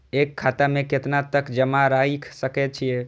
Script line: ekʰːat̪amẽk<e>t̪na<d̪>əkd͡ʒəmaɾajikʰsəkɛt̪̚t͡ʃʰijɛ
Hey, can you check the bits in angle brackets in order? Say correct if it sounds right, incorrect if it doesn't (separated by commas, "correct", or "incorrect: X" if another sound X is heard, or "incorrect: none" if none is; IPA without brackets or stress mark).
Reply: correct, incorrect: t̪